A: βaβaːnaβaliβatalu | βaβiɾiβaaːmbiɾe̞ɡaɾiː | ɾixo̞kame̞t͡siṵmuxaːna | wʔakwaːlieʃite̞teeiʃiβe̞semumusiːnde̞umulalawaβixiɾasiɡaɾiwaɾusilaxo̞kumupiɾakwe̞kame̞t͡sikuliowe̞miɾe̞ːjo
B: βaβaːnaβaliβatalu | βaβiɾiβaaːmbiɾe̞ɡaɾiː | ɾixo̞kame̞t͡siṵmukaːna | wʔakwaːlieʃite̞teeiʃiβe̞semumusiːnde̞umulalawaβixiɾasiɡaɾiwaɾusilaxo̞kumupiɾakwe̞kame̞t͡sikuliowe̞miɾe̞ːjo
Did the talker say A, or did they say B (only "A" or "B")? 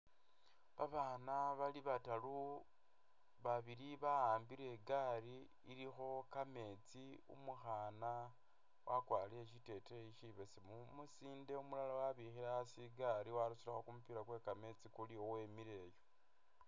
A